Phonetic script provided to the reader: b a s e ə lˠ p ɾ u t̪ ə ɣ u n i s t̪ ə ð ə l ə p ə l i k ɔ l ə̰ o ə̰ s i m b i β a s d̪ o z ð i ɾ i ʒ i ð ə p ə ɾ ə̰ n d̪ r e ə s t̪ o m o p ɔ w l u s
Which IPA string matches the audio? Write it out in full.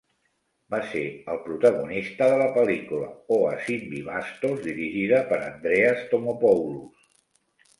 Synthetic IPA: b a s e ə lˠ p ɾ u t̪ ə ɣ u n i s t̪ ə ð ə l ə p ə l i k u l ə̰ o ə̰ s i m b i β a s t̪ o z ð i ɾ i ʒ i ð ə p ə ɾ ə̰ n d̪ ɾ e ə s t̪ o m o p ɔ w l u s